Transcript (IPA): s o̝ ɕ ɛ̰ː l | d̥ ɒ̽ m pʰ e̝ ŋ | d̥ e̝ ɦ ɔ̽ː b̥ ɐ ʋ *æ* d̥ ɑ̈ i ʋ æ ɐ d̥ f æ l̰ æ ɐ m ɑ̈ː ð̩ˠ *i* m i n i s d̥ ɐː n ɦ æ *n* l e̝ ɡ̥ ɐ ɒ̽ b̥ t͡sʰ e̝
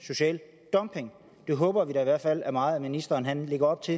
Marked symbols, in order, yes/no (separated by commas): no, no, yes